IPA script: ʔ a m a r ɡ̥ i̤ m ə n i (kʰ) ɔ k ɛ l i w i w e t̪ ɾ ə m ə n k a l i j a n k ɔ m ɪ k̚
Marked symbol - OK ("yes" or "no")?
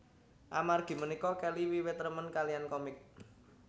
no